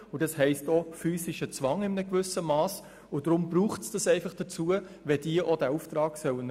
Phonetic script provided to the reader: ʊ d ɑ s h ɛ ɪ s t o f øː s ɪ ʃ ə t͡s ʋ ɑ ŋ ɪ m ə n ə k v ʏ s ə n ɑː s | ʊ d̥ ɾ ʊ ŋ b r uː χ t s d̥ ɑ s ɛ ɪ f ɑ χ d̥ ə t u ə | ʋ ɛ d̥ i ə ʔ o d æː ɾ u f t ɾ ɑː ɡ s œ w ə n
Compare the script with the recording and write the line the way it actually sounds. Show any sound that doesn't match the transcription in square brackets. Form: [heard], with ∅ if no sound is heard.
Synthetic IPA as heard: ʊ d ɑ s h ɛ ɪ s t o f [yː] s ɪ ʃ ə t͡s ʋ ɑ ŋ ɪ m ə n ə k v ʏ s ə [m] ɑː s | ʊ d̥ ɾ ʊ [m] b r uː χ t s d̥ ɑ s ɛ ɪ f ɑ χ d̥ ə [t͡s] u ə | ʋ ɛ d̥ i ə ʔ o d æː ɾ u f t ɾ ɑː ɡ s œ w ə n

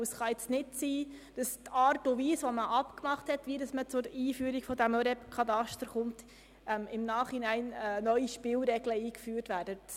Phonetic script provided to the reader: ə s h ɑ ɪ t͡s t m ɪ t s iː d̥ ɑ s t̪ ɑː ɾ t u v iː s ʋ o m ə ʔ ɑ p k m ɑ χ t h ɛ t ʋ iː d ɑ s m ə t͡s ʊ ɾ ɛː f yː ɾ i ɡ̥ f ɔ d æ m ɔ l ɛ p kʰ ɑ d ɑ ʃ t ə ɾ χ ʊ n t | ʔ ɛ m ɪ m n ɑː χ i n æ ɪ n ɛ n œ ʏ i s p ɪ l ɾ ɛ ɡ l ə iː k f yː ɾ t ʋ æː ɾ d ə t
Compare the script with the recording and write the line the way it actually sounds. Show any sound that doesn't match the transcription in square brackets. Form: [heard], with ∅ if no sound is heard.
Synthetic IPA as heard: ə s [χ] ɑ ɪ t͡s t [n] ɪ t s iː d̥ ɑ s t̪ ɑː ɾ t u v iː s ʋ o m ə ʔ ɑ p k m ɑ χ t h ɛ t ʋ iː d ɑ s m ə t͡s ʊ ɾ [iː] f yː ɾ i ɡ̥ f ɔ d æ m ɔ [ɾ] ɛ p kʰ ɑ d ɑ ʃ t ə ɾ χ ʊ n t | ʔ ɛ m ɪ m n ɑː χ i n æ ɪ n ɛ n œ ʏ i [ʃ] p ɪ l ɾ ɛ ɡ l ə iː k f yː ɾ t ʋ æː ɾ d ə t

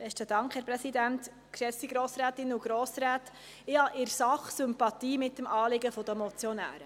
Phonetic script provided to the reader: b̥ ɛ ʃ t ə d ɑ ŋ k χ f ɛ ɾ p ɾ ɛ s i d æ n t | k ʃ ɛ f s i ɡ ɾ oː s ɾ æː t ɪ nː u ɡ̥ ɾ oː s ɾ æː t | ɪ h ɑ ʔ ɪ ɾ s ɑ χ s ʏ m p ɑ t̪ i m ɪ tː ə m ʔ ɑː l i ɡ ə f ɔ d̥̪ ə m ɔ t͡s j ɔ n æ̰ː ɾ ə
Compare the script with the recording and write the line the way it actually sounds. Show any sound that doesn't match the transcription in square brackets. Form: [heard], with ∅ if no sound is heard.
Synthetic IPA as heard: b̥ ɛ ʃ t ə d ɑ ŋ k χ [h] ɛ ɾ p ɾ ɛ s i d æ n t | k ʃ ɛ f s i ɡ ɾ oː s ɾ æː t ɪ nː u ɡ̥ ɾ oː s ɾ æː t | ɪ h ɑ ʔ ɪ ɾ s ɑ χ s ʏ m p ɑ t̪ [iː] m ɪ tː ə m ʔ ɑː l [ɪ] ɡ ə f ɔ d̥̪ ə m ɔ t͡s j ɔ n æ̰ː ɾ ə

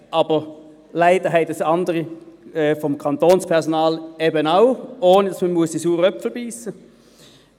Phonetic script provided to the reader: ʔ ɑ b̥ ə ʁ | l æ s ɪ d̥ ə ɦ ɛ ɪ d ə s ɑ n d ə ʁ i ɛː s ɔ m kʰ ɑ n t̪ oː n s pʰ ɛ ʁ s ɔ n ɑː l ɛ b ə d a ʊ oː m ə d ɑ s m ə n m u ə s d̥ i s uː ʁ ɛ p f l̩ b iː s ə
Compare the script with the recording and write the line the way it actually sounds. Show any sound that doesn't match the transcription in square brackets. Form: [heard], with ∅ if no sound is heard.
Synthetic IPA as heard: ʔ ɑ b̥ ə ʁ | l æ [∅] ɪ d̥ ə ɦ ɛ ɪ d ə s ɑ n d ə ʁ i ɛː [f] ɔ m kʰ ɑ n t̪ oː n s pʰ ɛ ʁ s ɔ n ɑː l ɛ b ə [n] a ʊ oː [n] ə d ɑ s m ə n m u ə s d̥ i s uː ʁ [œ] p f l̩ b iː s ə

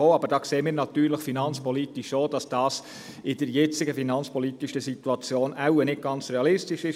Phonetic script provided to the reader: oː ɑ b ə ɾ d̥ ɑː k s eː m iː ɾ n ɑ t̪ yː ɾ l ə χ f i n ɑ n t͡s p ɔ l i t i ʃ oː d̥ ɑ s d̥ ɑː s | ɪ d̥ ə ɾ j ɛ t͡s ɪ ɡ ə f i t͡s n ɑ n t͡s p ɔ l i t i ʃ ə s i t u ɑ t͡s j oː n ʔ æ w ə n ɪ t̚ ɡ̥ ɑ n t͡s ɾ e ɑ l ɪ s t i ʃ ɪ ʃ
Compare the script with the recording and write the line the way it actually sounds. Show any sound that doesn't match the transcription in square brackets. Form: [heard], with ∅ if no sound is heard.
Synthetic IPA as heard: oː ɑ b ə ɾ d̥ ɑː k s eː m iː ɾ n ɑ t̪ yː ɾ l ə χ f i n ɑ n t͡s p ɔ l i t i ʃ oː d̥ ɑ s d̥ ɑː s | ɪ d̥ ə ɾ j ɛ t͡s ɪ ɡ ə f i [∅] n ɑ n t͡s p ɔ l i t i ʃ ə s i t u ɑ t͡s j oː n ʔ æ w ə n ɪ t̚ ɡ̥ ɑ n t͡s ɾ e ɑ l ɪ s t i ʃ ɪ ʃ

